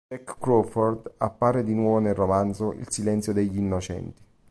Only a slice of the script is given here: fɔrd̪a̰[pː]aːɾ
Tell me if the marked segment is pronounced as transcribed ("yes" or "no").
yes